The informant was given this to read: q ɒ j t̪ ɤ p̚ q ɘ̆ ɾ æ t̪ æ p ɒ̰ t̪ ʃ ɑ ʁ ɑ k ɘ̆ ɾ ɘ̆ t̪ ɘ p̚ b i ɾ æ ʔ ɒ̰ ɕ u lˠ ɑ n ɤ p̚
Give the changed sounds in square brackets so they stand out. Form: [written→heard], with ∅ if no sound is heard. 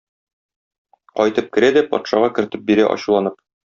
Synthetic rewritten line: q ɒ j t̪ ɤ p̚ [q→k] ɘ̆ ɾ æ [t̪→d̪] æ p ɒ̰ t̪ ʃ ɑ ʁ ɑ k ɘ̆ ɾ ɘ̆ t̪ ɘ p̚ b i ɾ æ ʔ ɒ̰ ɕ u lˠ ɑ n ɤ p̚